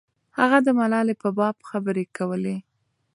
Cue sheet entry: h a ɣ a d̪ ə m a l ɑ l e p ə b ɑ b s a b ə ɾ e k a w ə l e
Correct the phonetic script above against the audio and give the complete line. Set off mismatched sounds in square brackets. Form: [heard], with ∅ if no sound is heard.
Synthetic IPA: h a ɣ a d̪ ə m a l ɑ l e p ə b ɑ b [x] a b ə ɾ e k a w ə l e